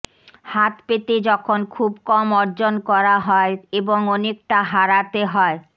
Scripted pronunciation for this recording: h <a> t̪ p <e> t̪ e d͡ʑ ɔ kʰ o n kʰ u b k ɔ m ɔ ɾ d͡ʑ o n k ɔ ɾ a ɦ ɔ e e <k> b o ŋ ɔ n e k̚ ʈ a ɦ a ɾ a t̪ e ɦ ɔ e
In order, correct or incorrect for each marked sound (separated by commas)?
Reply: correct, correct, incorrect